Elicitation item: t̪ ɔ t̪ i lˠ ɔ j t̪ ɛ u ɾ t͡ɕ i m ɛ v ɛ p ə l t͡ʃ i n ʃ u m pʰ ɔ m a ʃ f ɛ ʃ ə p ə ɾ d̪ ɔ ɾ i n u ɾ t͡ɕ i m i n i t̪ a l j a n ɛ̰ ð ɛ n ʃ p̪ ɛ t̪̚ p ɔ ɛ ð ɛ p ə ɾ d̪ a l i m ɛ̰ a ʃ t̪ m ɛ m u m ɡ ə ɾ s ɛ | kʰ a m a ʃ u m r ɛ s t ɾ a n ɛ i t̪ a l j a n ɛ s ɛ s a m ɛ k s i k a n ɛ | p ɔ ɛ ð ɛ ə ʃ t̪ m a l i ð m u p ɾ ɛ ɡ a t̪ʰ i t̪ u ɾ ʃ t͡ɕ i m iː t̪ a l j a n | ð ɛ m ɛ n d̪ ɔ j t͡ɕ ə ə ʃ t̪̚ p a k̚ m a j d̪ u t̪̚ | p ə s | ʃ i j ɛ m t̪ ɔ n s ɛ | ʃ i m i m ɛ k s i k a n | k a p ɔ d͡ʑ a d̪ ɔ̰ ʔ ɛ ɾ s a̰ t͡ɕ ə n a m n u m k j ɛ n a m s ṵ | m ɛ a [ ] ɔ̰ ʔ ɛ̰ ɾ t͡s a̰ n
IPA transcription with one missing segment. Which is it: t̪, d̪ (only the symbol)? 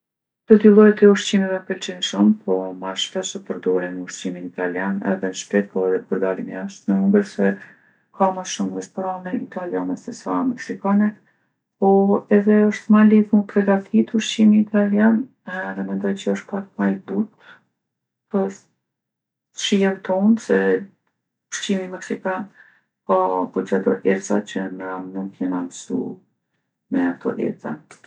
t̪